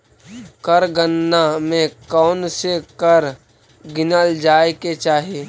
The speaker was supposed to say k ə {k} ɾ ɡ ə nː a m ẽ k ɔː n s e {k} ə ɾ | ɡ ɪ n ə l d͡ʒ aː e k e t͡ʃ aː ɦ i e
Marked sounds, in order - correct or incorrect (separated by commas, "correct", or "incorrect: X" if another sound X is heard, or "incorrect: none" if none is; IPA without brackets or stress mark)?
incorrect: none, correct